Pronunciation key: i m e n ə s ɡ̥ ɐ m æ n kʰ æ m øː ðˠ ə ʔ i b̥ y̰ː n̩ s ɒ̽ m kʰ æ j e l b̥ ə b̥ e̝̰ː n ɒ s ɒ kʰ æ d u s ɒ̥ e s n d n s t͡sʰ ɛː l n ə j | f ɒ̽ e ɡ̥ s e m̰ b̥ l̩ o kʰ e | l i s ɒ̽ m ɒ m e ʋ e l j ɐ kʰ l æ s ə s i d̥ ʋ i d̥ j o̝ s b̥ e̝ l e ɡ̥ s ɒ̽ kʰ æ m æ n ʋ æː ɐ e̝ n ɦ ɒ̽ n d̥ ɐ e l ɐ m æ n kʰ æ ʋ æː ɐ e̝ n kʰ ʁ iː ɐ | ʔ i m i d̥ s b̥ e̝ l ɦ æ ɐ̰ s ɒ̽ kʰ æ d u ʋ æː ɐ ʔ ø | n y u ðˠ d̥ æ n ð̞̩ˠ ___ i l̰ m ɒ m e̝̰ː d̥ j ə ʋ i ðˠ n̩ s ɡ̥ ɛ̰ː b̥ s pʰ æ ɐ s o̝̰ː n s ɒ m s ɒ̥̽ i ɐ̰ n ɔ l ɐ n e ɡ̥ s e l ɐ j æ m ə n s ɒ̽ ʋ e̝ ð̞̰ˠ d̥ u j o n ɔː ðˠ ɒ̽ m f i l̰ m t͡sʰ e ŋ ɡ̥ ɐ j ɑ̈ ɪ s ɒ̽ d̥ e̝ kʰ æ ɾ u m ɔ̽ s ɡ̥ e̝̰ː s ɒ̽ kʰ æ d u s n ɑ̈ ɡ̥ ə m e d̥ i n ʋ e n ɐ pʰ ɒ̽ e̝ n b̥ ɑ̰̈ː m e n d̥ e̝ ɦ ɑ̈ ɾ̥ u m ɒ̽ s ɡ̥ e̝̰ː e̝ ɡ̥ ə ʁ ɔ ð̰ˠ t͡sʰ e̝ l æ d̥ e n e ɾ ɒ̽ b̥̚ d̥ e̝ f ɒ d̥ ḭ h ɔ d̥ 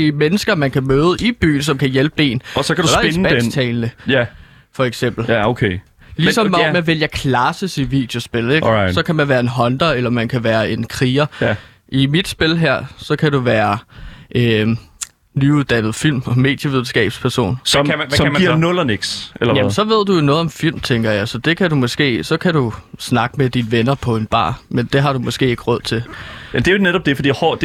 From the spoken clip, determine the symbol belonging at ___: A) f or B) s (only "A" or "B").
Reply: A